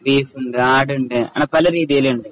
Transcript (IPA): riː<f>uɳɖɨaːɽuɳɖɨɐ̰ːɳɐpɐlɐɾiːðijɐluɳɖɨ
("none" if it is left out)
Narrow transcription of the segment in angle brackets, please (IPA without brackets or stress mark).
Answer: f